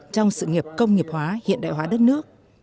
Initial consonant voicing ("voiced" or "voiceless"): voiceless